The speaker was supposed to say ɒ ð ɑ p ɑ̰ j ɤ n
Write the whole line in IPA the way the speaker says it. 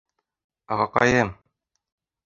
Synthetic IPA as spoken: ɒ ʁ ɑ q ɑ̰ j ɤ m